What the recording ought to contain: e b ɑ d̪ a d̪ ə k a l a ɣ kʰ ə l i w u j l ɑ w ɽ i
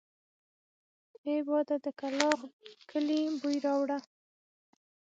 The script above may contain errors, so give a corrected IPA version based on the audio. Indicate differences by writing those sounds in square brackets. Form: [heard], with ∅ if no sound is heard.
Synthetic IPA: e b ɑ d̪ a d̪ ə k a l [ɑ] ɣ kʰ ə l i [b] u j [ɾ] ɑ w ɽ [a]